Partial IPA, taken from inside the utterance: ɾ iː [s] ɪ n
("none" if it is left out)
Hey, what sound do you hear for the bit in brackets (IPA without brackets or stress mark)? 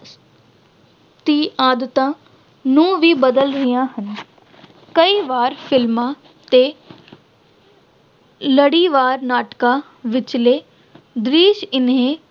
ʃ